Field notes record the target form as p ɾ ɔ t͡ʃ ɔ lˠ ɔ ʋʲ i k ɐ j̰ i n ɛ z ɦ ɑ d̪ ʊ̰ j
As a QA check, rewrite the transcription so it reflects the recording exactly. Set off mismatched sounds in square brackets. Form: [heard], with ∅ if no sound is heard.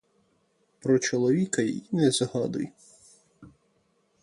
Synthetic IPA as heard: p ɾ ɔ t͡ʃ ɔ lˠ ɔ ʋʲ i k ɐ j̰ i n ɛ z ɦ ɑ d̪ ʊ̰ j